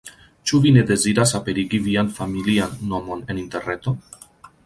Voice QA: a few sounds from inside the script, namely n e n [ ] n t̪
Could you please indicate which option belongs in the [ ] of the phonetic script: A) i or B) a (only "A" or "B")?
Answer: A